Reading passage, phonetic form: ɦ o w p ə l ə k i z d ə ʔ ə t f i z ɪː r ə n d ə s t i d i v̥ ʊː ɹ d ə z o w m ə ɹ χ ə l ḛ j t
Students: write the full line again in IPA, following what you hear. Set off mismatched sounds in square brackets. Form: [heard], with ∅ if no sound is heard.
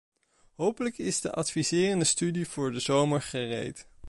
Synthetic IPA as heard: ɦ o w p ə l ə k [ɪ] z d ə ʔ [ɑ] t f i z ɪː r ə n d ə s t [y] d i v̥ ʊː ɹ d ə z o w m ə ɹ χ ə [r] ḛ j t

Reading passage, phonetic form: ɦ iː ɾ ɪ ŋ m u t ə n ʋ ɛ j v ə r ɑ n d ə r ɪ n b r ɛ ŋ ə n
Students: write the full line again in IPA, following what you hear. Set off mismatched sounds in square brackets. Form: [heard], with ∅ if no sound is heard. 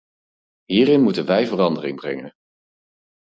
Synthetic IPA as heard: ɦ iː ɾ ɪ [n] m u t ə n ʋ ɛ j v ə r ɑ n d ə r ɪ [ŋ] b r ɛ ŋ ə n

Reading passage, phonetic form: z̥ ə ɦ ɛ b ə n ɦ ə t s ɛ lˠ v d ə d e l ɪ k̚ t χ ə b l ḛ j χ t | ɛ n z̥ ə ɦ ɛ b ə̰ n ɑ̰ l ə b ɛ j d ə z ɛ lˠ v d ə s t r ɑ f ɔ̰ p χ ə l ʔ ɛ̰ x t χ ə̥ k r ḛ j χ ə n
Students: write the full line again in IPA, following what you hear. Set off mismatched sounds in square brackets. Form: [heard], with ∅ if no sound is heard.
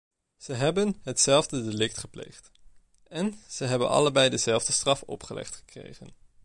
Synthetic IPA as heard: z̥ ə ɦ ɛ b ə n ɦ ə t s ɛ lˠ v d ə d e l ɪ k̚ t χ ə [p] l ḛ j χ t | ɛ n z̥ ə ɦ ɛ b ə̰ n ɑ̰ l ə b ɛ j d ə z ɛ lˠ v d ə s t r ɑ f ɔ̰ p χ ə l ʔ ɛ̰ [χ] t χ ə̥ k r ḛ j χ ə n

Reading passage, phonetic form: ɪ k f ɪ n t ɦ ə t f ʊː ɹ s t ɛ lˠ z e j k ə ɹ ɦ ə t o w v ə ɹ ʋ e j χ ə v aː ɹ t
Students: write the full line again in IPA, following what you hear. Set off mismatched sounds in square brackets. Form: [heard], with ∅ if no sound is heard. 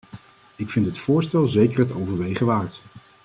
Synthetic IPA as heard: ɪ k f ɪ n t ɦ ə t f ʊː ɹ s t ɛ lˠ z e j k ə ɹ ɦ ə t o w v ə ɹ ʋ e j χ ə [ʋ] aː ɹ t

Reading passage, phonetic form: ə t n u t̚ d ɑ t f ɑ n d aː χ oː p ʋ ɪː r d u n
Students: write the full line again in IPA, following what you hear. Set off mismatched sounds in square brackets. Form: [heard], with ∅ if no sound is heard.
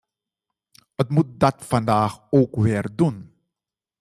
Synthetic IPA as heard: ə t [m] u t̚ d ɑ t f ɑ n d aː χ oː [k] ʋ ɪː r d u n

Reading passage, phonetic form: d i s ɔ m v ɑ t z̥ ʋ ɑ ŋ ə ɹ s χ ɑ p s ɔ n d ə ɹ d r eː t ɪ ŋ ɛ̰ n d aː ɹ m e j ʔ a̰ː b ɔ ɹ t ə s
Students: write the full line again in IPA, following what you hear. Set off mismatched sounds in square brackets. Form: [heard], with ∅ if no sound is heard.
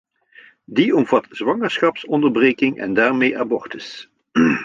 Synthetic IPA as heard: d i [∅] ɔ m v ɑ t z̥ ʋ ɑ ŋ ə ɹ s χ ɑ p s ɔ n d ə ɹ [b] r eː [k] ɪ ŋ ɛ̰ n d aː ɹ m e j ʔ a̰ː b ɔ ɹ t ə s

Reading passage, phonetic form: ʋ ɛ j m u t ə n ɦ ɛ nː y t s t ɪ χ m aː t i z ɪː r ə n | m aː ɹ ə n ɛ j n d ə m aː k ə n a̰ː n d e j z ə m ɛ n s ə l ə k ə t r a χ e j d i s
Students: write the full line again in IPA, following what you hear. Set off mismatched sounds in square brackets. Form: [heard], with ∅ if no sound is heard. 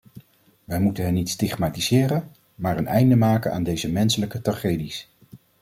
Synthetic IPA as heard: ʋ ɛ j m u t ə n ɦ ɛ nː [i] t s t ɪ χ m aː t i z ɪː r ə n | m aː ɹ ə n ɛ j n d ə m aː k ə n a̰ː n d e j z ə m ɛ n s ə l ə k ə t r a χ e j d i s

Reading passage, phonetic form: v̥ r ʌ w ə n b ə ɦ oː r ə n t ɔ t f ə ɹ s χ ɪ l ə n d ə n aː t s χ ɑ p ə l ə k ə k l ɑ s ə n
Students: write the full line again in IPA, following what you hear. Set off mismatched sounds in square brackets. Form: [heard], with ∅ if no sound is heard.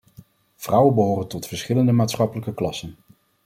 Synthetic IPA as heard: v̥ r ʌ w ə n b ə ɦ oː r ə n t ɔ t f ə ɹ s χ ɪ l ə n d ə [m] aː t s χ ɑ p ə l ə k ə k l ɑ s ə n

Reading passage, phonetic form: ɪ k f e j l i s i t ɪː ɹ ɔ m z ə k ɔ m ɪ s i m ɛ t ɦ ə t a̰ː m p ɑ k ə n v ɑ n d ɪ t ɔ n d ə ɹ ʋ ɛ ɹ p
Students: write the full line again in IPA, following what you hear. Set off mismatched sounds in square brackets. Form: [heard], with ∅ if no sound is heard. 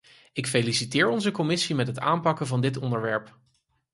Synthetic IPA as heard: ɪ k f e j l i s i t ɪː ɹ ɔ [n] z ə k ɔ m ɪ s i m ɛ t ɦ ə t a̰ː m p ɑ k ə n v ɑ n d ɪ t ɔ n d ə ɹ ʋ ɛ ɹ p

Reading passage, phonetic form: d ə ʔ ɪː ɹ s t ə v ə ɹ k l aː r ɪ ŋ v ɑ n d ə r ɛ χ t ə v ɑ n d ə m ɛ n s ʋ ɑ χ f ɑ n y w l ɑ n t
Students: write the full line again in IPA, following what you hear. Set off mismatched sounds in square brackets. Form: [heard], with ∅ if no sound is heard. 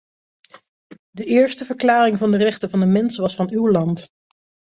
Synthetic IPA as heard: d ə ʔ ɪː ɹ s t ə v ə ɹ k l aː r ɪ ŋ v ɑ n d ə r ɛ χ t ə v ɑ n d ə m ɛ n s ʋ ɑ [s] f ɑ n y w l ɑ n t

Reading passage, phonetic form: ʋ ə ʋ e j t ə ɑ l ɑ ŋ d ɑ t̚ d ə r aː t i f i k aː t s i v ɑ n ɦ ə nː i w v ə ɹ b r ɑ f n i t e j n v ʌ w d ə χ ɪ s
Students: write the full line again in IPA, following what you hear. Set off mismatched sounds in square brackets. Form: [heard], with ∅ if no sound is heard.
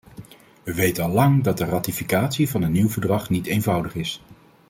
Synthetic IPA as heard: ʋ ə ʋ e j t ə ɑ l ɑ ŋ d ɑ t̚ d ə r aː t i f i k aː t s i v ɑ n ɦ ə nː i w v ə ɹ [d] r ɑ [χ] n i t e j n v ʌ w d ə χ ɪ s

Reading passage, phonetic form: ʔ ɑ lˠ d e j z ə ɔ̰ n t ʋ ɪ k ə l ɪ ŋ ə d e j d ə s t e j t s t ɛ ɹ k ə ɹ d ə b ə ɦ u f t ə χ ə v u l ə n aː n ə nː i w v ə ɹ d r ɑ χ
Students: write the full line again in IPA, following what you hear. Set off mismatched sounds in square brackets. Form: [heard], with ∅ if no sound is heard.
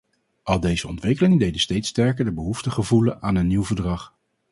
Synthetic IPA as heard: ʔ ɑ lˠ d e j z ə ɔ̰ n t ʋ ɪ k ə l ɪ ŋ ə d e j d ə s t e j t s t ɛ ɹ k ə ɹ d ə b ə ɦ u f t ə χ ə v u l ə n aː n ə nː i w v ə ɹ d r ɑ χ

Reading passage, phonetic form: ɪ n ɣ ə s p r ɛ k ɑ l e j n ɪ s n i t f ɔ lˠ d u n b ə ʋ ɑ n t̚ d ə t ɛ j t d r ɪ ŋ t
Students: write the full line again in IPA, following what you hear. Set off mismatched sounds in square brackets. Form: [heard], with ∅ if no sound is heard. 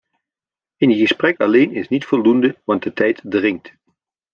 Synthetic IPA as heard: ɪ n ɣ ə s p r ɛ k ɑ l e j n ɪ s n i t f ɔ lˠ d u n [d] ə ʋ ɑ n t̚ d ə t ɛ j t d r ɪ ŋ t

